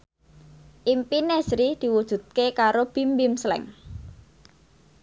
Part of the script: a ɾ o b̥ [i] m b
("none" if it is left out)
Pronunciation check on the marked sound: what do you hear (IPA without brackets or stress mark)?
i